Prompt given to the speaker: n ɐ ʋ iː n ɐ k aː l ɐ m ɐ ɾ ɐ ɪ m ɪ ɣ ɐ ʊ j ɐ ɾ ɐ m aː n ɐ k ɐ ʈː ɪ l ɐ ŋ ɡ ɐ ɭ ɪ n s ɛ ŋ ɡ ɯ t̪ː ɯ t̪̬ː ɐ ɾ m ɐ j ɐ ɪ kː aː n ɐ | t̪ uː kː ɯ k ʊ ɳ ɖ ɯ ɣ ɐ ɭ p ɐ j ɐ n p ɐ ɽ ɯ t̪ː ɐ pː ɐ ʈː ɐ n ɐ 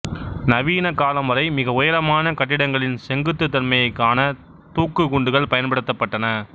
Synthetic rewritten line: n ɐ ʋ iː n ɐ k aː l ɐ m ɐ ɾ ɐ ɪ m ɪ ɣ ɐ ʊ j ɐ ɾ ɐ m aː n ɐ k ɐ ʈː ɪ ɽ ɐ ŋ ɡ ɐ ɭ ɪ n s ɛ ŋ ɡ ɯ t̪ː ɯ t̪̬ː ɐ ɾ m ɐ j ɐ ɪ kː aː n ɐ | t̪ uː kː ɯ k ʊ ɳ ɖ ɯ ɣ ɐ ɭ p ɐ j ɐ n p ɐ ɽ ɯ t̪ː ɐ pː ɐ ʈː ɐ n ɐ